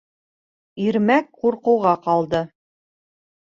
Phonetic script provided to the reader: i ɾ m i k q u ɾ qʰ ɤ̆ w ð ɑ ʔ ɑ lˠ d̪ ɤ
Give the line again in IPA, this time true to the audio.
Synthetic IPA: i ɾ m æ k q u ɾ q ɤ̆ w ʁ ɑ q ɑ lˠ d̪ ɤ